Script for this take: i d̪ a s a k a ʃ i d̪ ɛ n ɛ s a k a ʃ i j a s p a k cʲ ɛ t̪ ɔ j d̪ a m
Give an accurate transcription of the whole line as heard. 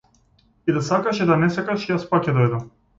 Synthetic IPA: i d̪ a s a k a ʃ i d̪ a n ɛ s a k a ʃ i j a s p a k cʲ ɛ d̪ ɔ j d̪ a m